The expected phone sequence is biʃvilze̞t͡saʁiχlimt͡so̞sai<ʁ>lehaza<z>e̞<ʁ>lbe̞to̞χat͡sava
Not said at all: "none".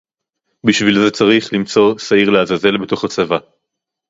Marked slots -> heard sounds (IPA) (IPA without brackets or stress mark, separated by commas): ʁ, z, none